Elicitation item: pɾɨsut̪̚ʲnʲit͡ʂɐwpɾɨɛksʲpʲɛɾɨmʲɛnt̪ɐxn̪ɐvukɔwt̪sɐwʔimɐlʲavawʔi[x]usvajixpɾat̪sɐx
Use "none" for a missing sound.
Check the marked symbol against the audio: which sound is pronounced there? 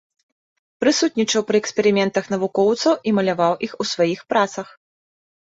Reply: x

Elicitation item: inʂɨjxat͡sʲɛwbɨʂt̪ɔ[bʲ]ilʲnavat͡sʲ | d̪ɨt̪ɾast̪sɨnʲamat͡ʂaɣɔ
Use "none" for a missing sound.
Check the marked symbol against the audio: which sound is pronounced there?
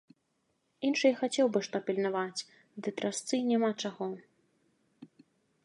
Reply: pʲ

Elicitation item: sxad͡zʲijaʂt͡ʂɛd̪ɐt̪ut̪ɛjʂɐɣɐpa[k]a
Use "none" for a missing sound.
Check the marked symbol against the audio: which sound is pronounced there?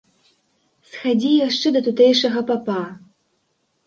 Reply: p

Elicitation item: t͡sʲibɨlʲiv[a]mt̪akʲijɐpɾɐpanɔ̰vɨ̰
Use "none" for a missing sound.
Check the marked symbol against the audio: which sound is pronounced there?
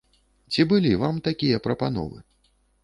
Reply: a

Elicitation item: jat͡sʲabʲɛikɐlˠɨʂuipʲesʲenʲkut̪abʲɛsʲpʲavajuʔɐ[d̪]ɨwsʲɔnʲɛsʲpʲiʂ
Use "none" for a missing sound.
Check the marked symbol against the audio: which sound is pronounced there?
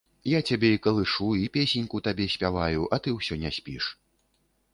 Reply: t̪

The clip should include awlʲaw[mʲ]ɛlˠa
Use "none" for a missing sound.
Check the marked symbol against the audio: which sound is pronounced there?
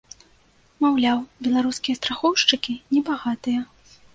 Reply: bʲ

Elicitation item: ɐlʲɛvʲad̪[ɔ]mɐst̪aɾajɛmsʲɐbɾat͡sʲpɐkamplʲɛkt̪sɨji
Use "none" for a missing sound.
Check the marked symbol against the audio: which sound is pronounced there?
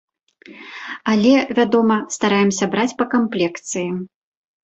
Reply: ɔ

